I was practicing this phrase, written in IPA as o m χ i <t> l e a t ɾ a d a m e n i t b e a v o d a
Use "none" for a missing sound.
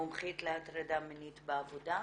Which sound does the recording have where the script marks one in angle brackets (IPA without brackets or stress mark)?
t